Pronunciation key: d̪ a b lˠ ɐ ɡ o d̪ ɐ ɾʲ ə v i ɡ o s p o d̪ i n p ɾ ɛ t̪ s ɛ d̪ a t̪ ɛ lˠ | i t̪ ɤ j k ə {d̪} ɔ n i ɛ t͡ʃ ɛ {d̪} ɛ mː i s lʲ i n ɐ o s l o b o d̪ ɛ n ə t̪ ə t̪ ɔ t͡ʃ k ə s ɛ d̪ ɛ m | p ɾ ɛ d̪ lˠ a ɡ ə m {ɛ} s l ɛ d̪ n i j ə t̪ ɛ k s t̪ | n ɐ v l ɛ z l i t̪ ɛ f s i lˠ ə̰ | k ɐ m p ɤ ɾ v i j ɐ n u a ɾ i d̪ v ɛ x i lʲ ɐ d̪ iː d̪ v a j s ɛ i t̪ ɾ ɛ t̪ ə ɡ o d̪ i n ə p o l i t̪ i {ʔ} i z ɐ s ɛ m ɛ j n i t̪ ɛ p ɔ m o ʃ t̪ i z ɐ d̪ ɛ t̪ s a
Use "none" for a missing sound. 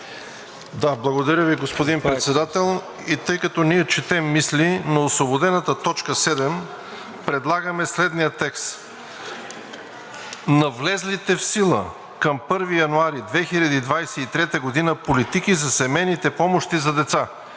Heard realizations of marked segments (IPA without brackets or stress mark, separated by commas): t̪, t̪, ɛ, k